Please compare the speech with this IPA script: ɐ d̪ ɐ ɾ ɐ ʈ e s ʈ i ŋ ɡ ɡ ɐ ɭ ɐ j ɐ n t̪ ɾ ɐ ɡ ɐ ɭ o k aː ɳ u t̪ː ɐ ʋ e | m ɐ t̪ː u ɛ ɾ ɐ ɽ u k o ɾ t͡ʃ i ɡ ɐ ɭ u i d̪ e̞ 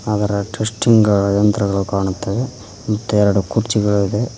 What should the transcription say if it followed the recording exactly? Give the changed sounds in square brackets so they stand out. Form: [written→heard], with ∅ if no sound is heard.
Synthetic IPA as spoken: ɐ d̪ ɐ ɾ ɐ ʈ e s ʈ i ŋ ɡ ɡ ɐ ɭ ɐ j ɐ n t̪ ɾ ɐ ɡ ɐ ɭ [o→u] k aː ɳ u t̪ː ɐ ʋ e | m ɐ t̪ː u ɛ ɾ ɐ ɽ u k [o→u] ɾ t͡ʃ i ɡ ɐ ɭ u i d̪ e̞